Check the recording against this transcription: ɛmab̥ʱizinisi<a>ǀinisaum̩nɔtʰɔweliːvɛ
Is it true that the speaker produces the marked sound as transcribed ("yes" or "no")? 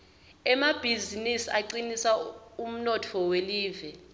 yes